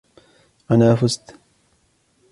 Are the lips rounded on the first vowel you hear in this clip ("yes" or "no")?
no